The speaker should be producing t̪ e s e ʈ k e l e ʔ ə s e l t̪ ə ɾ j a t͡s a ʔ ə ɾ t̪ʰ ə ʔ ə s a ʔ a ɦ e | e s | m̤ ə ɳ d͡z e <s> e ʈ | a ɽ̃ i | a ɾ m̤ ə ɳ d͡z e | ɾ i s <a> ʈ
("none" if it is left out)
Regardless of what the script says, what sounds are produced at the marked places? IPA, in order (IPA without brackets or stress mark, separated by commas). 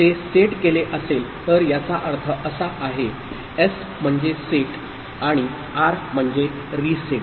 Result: s, e